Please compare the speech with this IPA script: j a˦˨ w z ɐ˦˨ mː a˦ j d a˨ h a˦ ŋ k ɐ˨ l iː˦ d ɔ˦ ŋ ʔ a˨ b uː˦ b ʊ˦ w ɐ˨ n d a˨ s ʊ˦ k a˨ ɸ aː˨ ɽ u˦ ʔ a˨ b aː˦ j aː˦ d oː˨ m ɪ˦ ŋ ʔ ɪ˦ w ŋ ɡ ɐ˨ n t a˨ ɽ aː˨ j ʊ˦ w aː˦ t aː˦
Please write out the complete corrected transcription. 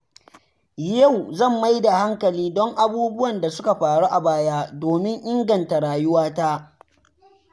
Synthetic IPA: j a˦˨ w z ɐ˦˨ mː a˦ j d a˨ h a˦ ŋ k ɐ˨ l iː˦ d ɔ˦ ŋ ʔ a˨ b uː˦ b ʊ˦ w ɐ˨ n d a˨ s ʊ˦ k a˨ ɸ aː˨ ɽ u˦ ʔ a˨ b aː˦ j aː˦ d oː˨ m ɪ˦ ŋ ʔ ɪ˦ ŋ ɡ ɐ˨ n t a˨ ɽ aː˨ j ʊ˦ w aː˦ t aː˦